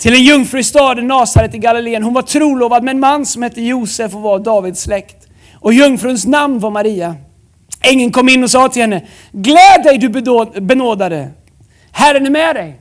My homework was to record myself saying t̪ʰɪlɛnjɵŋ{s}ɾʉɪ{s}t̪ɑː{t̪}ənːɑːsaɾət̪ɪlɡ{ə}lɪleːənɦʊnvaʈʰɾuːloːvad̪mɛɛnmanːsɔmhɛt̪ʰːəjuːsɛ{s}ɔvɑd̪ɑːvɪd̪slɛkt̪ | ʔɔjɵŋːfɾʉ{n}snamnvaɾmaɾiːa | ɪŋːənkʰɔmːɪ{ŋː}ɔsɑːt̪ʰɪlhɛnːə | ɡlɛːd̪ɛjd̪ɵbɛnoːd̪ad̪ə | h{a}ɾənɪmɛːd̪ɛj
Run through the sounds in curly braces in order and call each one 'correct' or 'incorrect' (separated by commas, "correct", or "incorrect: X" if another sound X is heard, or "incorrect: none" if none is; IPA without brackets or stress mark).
incorrect: f, correct, incorrect: d̪, incorrect: a, incorrect: f, correct, incorrect: nː, incorrect: æ